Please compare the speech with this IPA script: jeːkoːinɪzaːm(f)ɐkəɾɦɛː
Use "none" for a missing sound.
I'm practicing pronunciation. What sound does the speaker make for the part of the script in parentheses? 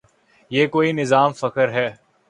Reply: f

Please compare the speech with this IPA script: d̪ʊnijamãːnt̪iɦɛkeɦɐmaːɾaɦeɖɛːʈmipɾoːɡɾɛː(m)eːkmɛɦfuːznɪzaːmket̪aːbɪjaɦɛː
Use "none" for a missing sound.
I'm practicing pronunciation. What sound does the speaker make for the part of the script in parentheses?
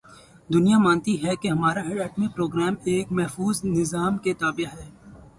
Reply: m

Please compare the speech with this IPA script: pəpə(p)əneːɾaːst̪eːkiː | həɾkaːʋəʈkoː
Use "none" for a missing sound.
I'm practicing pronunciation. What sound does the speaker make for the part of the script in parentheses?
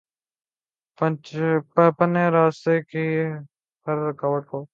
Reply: p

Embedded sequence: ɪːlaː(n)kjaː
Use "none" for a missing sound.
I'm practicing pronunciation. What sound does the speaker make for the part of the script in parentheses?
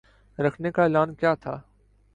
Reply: n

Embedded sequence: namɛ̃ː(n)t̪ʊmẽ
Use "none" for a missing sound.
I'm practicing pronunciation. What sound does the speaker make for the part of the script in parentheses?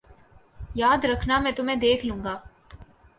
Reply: none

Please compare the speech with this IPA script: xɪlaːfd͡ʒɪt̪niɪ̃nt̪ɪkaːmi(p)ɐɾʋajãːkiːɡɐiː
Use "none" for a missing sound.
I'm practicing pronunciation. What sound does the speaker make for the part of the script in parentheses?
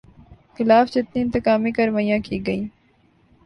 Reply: k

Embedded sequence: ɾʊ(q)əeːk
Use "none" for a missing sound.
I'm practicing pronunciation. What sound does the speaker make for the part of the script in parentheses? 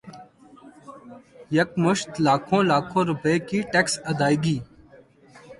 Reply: p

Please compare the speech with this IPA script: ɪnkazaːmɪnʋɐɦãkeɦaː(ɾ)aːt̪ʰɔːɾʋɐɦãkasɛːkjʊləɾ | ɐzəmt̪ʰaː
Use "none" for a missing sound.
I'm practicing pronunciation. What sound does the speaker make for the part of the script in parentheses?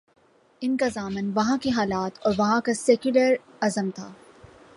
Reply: l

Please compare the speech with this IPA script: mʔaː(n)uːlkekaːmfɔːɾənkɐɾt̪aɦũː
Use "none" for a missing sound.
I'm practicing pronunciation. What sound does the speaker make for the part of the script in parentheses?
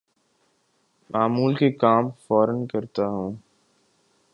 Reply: m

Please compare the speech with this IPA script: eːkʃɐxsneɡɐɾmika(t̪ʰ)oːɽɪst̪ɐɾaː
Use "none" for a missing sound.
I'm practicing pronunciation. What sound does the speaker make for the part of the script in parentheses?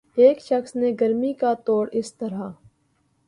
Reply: t̪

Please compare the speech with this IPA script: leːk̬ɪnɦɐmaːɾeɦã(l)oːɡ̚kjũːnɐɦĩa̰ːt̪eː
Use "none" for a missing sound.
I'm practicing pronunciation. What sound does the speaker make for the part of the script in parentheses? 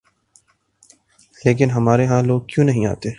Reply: l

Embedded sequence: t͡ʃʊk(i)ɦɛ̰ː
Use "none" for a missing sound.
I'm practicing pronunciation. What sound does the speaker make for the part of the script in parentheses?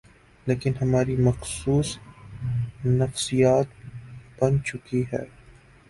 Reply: i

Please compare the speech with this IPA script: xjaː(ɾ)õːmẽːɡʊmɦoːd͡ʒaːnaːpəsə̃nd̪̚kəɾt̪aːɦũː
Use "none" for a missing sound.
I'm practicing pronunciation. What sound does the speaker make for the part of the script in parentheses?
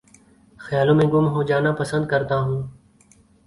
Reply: l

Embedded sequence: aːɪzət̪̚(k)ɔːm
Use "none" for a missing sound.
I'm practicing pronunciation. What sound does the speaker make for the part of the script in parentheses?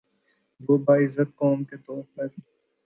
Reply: k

